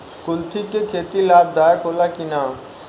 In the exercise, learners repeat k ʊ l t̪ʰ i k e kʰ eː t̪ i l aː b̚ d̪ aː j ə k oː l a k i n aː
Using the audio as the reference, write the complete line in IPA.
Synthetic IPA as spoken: k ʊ l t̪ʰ i k e kʰ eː t̪ i l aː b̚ d̪ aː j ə k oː l a k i n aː